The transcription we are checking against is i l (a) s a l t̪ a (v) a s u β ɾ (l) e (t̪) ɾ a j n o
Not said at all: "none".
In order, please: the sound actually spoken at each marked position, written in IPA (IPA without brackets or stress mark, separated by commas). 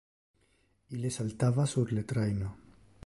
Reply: e, β, l, t̪